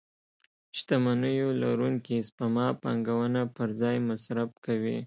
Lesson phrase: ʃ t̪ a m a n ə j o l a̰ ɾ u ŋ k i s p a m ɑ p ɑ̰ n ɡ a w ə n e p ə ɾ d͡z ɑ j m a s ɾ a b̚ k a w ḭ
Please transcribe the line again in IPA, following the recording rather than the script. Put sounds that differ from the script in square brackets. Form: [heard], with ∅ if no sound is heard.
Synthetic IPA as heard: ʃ t̪ a m a n ə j o l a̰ ɾ u ŋ k i s p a m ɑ p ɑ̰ [ŋ] ɡ a w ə n [a] p ə ɾ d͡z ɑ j m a s ɾ a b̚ k a w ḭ